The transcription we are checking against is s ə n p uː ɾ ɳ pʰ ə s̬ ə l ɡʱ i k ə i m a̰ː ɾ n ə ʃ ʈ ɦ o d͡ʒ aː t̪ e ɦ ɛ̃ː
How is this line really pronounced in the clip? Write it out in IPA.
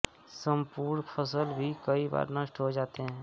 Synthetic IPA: s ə m p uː ɾ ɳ pʰ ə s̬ ə l bʱ i k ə i b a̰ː ɾ n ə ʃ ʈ ɦ o d͡ʒ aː t̪ e ɦ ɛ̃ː